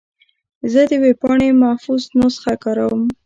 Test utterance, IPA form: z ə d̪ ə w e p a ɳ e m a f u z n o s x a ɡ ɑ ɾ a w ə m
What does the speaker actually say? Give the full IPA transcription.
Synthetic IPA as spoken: z ə d̪ ə w e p ɑ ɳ e m a f u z n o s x a k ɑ ɾ a w ə m